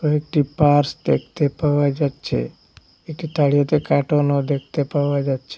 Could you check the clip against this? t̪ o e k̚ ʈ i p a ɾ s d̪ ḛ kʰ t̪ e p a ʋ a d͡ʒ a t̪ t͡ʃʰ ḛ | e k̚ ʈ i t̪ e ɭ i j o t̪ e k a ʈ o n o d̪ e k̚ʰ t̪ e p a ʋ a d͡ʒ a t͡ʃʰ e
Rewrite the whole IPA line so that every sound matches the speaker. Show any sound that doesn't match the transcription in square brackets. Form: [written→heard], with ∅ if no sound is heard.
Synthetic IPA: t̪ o e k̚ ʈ i p a ɾ s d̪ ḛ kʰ t̪ e p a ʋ a d͡ʒ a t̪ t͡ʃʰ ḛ | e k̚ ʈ i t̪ [e→a] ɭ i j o t̪ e k a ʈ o n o d̪ e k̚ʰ t̪ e p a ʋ a d͡ʒ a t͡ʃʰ e